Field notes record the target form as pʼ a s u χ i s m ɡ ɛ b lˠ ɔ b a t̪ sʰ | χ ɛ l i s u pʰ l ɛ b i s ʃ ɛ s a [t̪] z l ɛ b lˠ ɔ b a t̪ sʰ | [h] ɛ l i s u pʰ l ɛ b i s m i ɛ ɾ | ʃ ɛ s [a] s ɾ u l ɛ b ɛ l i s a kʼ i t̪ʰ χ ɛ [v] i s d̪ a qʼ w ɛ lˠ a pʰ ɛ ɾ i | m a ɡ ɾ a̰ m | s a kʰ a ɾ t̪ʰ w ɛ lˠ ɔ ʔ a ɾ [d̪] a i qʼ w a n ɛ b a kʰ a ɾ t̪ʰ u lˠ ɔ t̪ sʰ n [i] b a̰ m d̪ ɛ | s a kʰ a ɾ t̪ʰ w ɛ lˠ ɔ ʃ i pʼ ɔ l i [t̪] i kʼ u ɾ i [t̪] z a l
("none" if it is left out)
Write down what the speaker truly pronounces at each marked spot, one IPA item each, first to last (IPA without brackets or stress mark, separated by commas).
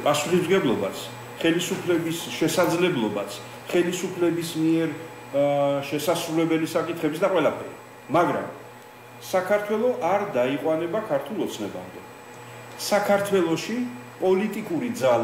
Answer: d̪, χ, a, b, d̪, ɛ, t̪ʼ, d̪